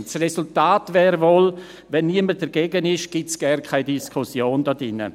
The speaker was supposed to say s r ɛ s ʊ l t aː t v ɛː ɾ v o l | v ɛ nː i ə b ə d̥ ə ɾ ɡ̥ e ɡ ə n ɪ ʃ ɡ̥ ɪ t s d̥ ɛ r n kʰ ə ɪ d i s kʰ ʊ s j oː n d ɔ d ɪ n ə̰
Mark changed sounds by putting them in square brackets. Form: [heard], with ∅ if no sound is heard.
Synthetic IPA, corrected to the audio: s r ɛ s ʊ l t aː t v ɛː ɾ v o l | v ɛ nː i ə [m] ə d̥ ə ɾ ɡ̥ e ɡ ə n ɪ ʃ ɡ̥ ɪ t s [ɡ̥] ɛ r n kʰ [a] ɪ d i s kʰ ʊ s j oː n d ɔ d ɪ n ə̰